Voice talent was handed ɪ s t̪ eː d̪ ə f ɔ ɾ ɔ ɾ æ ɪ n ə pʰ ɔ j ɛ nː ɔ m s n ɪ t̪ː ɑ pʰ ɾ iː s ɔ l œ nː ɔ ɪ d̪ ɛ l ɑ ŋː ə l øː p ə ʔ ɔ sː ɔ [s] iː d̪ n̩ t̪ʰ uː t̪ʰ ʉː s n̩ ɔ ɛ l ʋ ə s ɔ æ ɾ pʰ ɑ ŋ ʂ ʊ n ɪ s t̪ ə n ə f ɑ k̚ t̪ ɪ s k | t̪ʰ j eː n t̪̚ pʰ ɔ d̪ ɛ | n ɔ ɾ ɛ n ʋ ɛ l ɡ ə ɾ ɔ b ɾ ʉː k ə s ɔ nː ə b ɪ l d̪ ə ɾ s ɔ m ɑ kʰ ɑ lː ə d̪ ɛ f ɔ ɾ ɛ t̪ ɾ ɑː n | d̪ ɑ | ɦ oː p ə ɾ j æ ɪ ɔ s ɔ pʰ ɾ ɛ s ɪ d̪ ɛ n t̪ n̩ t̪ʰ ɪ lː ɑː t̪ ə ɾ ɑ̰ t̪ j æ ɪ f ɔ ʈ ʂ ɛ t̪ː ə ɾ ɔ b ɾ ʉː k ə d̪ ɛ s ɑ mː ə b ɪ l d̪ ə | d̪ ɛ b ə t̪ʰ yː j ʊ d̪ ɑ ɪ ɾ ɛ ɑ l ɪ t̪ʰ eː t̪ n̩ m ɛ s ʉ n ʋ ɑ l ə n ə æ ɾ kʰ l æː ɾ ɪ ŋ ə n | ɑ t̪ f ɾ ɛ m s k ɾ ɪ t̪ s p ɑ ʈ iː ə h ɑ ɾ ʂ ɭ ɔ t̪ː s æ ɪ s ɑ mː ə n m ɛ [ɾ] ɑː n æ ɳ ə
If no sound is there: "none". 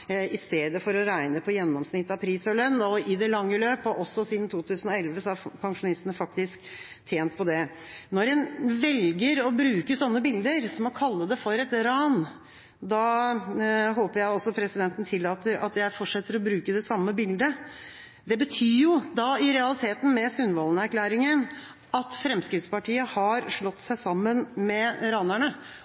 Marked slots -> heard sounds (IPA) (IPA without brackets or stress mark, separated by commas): s, ɾ